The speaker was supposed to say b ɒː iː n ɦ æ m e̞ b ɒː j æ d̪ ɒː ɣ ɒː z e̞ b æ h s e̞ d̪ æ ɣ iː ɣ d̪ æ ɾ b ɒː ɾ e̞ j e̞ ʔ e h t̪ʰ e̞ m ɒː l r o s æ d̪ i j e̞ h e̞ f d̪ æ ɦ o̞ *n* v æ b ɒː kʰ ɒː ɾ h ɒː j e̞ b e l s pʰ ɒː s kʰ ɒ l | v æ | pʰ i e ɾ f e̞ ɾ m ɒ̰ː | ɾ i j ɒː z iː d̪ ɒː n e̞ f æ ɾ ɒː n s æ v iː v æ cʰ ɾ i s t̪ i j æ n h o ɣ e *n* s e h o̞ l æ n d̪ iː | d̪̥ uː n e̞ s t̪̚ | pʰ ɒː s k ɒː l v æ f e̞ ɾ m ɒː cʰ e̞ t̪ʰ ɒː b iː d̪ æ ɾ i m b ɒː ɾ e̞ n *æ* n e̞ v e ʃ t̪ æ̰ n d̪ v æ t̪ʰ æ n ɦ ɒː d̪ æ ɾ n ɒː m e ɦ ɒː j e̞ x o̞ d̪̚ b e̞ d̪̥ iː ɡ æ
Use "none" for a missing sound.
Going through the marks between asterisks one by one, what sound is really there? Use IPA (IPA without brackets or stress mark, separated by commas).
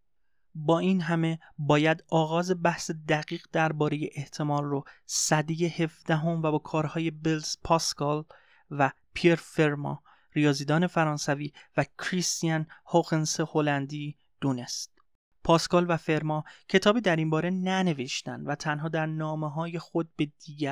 m, n, æ